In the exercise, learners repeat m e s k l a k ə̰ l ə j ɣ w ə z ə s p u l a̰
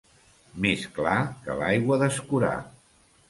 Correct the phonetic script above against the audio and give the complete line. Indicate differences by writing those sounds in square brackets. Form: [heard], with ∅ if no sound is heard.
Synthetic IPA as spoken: m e s k l a k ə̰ l [a] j ɣ w ə [ð] ə s [k] u [ɾ] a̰